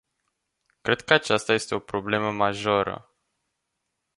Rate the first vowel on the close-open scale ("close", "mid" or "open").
mid